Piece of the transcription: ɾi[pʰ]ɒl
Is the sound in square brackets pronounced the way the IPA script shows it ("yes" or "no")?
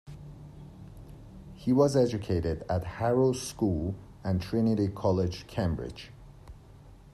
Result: no